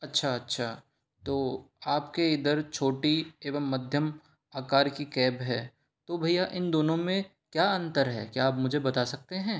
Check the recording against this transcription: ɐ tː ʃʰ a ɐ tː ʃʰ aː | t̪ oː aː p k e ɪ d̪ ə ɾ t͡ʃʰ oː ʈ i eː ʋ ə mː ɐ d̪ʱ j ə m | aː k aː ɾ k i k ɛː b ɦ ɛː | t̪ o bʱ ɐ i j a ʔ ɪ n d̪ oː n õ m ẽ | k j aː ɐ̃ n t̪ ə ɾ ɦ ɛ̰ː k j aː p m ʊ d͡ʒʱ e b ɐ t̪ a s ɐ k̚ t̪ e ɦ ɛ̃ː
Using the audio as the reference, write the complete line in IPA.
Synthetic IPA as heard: ɐ tː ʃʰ a ɐ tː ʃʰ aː | t̪ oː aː p k e ɪ d̪ ə ɾ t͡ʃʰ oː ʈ i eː ʋ ə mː ɐ d̪ʱ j ə m | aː k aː ɾ k i k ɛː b ɦ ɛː | t̪ o bʱ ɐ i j a ʔ ɪ n d̪ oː n õ m ẽ | k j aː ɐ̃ n t̪ ə ɾ ɦ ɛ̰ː k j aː p m ʊ d͡ʒʱ e b ɐ t̪ a s ɐ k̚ t̪ e ɦ ɛ̃ː